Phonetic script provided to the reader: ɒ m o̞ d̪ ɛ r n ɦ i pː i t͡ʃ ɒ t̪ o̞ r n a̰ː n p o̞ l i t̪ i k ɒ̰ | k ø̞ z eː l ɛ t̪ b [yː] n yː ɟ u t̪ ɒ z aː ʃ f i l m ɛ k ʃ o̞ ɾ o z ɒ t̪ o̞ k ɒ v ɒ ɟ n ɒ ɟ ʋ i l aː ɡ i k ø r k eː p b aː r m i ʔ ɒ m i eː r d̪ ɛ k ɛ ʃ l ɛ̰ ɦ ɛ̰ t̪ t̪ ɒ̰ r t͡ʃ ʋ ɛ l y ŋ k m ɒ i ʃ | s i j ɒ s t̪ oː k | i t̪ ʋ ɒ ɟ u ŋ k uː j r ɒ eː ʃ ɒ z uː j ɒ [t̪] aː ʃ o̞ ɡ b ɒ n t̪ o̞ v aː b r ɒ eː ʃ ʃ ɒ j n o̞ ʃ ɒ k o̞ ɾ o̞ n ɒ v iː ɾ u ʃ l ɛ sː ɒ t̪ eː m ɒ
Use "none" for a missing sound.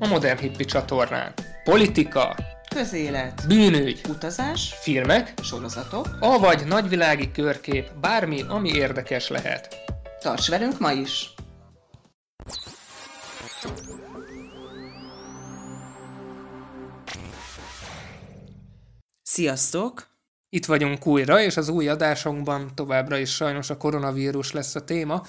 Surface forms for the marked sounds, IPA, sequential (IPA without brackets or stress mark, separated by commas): yː, d̪